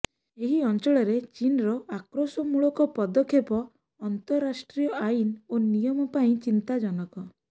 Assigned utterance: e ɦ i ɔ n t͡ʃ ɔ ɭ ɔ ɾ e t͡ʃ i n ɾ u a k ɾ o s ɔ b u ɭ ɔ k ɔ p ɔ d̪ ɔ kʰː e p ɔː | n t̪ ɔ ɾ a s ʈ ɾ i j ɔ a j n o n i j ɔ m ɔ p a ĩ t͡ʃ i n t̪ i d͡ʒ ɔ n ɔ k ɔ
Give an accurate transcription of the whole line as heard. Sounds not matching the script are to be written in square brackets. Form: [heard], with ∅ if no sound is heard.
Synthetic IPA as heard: e ɦ i ɔ n t͡ʃ ɔ ɭ ɔ ɾ e t͡ʃ i n ɾ [ɔ] a k ɾ o s ɔ [m] u ɭ ɔ k ɔ p ɔ d̪ ɔ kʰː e p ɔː | n t̪ ɔ ɾ a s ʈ ɾ i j ɔ a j n o n i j ɔ m ɔ p a ĩ t͡ʃ i n t̪ [a] d͡ʒ ɔ n ɔ k ɔ